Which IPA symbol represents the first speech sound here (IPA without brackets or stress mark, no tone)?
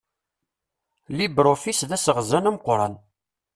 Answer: l